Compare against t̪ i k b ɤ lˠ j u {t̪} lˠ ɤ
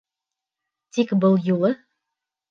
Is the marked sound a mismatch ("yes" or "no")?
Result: yes